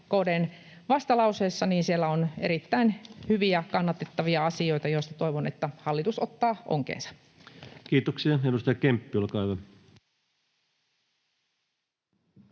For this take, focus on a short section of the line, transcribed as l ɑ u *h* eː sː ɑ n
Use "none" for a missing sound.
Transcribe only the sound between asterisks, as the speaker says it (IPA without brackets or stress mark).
s